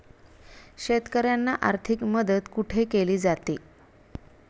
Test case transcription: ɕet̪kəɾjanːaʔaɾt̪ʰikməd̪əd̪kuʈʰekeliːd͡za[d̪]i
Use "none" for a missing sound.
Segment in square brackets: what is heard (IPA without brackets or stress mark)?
t̪